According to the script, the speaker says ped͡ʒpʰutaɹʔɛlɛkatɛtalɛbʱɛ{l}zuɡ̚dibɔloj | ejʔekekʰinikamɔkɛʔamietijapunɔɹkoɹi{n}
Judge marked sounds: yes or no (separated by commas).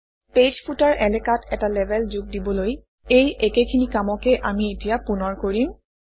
yes, no